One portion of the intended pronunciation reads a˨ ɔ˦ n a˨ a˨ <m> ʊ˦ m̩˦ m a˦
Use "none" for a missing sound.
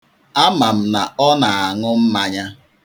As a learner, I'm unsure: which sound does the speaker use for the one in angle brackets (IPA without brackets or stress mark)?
ŋ